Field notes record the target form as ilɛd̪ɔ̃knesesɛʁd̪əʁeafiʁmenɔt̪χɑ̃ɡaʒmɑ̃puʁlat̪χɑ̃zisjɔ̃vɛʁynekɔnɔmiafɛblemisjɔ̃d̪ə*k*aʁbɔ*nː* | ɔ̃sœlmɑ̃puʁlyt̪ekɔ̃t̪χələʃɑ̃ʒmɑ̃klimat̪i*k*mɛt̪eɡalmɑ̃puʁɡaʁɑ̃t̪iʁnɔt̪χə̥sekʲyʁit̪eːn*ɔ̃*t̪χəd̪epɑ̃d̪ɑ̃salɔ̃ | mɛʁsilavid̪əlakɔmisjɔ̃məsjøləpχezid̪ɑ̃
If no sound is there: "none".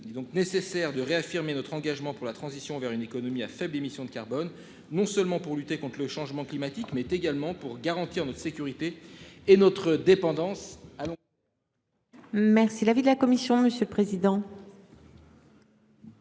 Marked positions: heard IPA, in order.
k, nː, k, ɔ

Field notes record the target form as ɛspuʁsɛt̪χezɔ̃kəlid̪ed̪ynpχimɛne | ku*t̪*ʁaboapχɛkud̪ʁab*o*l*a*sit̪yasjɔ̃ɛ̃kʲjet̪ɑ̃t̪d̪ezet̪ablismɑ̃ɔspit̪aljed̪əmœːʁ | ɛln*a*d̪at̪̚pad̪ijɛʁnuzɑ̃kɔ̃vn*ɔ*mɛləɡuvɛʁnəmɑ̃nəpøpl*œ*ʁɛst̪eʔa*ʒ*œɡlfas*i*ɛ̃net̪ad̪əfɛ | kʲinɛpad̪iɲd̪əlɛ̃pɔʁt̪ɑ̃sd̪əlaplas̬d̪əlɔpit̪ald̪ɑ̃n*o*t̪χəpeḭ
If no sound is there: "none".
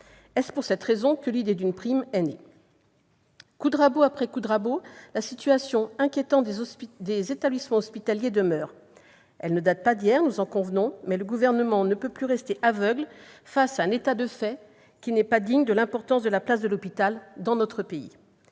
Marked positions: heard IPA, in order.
d̪, o, a, ə, ɔ̃, y, v, a, ɔ

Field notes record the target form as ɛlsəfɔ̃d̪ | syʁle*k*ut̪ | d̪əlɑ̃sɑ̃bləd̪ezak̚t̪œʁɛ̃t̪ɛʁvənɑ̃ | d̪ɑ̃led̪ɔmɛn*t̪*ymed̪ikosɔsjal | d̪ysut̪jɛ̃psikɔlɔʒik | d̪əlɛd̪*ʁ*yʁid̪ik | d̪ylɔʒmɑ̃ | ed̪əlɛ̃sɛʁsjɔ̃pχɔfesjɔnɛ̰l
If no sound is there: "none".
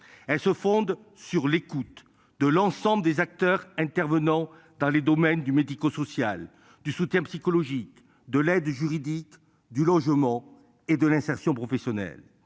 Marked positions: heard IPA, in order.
k, d̪, ʒ

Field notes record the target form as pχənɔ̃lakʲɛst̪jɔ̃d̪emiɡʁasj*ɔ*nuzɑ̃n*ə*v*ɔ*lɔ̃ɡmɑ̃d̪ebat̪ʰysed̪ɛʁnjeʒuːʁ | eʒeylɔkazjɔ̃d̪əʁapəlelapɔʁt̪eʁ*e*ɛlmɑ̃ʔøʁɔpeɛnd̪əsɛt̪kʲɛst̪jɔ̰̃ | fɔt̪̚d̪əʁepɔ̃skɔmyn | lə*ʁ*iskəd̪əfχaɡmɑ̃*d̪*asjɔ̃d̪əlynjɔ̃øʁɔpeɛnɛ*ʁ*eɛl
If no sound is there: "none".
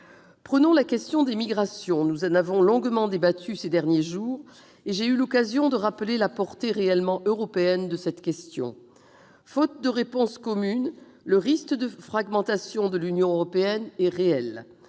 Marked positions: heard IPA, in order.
ɔ̃, a, ɔ̃, e, ʁ, t̪, ʁ

